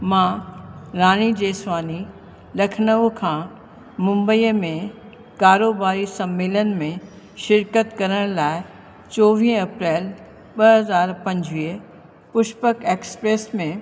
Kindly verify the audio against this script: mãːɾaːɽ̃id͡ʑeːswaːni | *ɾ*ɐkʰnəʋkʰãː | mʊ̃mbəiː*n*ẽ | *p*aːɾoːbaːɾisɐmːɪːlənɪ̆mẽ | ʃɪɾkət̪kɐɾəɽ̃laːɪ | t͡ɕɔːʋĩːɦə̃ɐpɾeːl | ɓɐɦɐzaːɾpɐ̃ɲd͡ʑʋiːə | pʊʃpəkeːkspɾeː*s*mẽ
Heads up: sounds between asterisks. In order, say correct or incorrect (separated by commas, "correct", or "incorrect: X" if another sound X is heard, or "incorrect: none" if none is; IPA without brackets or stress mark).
incorrect: l, incorrect: m, incorrect: k, correct